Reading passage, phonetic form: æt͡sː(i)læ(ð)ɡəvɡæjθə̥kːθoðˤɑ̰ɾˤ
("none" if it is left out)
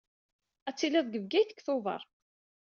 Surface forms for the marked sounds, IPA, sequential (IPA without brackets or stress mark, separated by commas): i, ð